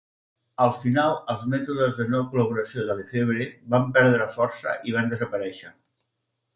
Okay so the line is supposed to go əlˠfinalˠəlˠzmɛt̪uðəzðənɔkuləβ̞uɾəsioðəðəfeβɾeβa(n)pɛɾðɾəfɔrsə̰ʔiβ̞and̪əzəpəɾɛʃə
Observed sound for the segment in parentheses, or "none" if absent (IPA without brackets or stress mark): m